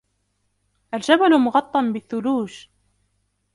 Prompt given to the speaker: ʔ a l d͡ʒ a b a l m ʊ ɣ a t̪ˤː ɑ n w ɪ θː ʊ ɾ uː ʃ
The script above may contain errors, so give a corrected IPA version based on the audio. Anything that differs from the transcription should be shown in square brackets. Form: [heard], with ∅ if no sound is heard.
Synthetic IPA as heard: ʔ a l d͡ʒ a b a l m ʊ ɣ [ɑ] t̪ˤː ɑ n [b] ɪ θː ʊ [l] uː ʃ